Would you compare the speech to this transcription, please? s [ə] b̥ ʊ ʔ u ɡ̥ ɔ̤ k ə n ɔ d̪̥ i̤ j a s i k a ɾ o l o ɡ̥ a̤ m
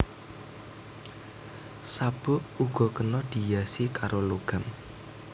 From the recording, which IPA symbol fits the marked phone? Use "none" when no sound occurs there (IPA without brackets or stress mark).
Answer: a